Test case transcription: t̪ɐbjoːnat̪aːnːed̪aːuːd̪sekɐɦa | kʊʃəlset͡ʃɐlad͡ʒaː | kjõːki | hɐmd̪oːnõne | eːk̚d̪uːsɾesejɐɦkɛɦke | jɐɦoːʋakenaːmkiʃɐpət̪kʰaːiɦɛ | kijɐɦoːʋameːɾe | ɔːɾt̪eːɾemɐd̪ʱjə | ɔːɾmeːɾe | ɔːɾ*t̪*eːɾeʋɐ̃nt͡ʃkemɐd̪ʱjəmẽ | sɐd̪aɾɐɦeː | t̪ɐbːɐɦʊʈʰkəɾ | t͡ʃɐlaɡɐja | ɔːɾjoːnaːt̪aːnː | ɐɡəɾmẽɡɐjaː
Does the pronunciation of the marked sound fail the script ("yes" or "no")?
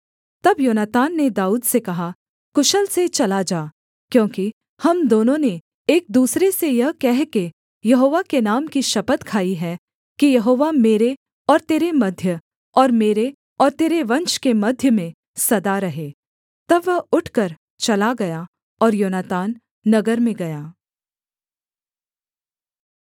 no